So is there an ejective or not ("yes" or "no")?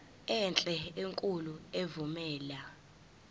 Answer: yes